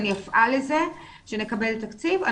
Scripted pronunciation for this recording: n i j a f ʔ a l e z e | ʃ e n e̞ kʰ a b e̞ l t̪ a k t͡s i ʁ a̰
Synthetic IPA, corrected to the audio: n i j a f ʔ a l e z e | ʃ e n e̞ k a b e̞ l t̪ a k t͡s i v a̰